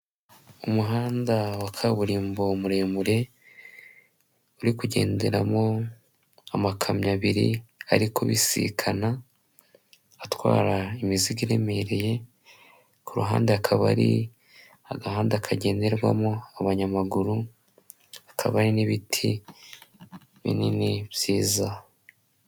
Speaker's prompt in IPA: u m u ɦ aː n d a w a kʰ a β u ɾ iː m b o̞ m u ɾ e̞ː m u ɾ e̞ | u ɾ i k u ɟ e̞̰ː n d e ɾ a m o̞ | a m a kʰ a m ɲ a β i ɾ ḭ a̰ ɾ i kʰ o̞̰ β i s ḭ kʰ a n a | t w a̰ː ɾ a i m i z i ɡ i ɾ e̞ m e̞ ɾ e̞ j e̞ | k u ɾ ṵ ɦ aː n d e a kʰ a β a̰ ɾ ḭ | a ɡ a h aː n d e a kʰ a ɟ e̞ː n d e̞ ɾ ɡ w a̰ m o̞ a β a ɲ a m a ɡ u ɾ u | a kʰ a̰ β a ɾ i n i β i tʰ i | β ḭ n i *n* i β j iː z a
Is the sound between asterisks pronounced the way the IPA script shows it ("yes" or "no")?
yes